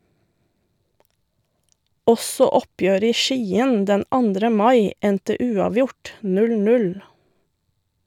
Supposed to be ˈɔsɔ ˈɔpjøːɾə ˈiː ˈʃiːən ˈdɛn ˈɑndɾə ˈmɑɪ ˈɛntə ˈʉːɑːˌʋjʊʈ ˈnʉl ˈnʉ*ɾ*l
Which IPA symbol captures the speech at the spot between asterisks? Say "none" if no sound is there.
none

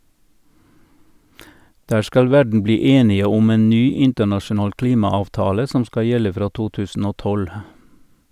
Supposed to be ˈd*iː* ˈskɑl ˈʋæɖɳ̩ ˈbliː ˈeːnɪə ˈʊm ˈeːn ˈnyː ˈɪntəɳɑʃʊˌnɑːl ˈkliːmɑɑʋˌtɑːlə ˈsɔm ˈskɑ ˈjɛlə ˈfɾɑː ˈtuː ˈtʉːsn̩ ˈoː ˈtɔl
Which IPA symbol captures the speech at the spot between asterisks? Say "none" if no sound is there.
æː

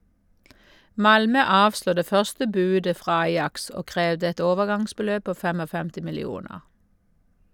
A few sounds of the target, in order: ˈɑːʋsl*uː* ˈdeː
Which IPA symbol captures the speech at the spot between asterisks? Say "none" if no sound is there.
uː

